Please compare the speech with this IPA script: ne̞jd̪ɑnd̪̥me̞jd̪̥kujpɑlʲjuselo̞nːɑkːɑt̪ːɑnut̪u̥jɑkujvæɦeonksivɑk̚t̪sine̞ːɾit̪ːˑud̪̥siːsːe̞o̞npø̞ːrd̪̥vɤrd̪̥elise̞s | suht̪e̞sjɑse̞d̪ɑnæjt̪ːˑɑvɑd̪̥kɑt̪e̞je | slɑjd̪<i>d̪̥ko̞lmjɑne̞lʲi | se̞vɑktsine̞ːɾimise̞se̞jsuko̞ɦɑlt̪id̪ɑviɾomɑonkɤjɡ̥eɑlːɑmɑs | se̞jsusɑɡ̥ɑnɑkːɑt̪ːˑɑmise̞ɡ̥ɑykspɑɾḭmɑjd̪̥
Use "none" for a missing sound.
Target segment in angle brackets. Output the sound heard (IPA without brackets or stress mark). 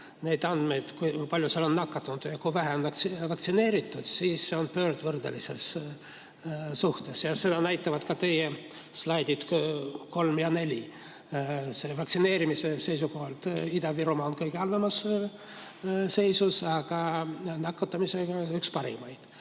i